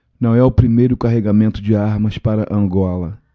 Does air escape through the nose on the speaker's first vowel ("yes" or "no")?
yes